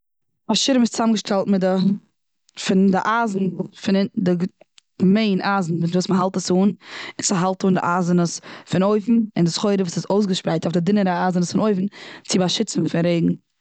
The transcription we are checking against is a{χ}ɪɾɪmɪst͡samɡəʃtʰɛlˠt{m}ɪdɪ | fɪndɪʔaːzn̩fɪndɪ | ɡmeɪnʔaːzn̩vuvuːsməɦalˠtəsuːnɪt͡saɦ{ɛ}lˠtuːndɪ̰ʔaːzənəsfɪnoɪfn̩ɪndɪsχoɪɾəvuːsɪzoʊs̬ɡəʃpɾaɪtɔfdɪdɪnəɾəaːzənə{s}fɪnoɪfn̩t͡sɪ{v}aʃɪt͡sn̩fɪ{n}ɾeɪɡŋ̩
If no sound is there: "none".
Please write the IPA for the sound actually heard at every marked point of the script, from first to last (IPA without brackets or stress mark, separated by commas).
ʃ, m, a, s, b, n